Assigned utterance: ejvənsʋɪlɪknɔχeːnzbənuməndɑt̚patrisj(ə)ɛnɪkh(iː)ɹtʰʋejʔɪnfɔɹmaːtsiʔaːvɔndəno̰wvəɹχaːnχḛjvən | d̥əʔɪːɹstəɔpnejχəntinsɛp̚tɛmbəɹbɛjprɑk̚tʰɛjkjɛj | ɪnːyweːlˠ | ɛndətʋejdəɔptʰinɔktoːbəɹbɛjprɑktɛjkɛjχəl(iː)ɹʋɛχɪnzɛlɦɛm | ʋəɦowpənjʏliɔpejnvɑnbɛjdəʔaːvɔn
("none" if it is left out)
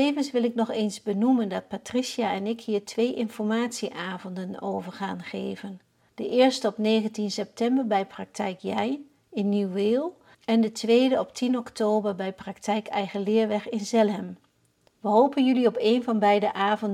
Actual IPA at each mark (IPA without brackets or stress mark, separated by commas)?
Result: a, iː, ɪː